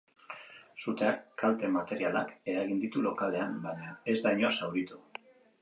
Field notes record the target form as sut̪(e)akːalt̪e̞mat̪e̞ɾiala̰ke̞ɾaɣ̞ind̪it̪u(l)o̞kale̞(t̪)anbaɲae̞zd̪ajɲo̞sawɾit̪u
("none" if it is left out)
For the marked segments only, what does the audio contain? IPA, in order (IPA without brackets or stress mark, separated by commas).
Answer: e, l, none